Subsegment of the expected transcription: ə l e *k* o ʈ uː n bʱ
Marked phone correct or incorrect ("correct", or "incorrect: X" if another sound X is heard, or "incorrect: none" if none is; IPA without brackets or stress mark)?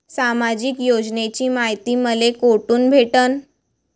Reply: correct